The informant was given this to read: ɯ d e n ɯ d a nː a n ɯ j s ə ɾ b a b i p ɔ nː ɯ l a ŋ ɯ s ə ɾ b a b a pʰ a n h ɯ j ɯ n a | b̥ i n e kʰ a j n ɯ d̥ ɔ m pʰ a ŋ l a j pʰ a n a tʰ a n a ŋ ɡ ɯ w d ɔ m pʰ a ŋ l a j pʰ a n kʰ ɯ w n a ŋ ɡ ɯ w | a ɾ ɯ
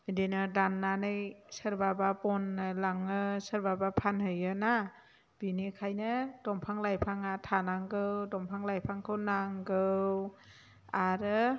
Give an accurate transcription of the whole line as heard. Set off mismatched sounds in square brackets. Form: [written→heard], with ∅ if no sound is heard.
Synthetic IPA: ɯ d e n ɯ d a nː a n ɯ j s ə ɾ b a b [i→a] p ɔ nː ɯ l a ŋ ɯ s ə ɾ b a b a pʰ a n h ɯ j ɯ n a | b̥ i n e kʰ a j n ɯ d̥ ɔ m pʰ a ŋ l a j pʰ a [n→ŋ] a tʰ a n a ŋ ɡ ɯ w d ɔ m pʰ a ŋ l a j pʰ a [n→ŋ] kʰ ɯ w n a ŋ ɡ ɯ w | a ɾ ɯ